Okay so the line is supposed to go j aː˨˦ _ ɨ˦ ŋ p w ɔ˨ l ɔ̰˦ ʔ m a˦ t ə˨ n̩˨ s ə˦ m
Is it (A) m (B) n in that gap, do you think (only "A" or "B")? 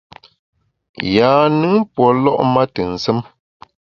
B